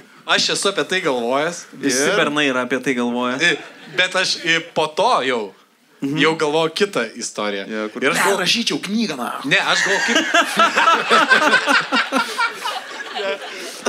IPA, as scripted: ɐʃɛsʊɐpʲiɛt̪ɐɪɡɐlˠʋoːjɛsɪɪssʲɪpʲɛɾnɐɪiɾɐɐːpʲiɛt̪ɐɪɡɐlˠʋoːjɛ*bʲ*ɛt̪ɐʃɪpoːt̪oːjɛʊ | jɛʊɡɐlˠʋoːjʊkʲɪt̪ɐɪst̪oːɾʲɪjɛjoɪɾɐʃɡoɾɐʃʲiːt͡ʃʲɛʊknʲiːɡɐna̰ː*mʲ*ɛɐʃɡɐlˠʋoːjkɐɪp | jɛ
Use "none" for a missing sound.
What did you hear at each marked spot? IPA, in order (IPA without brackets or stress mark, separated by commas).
bʲ, nʲ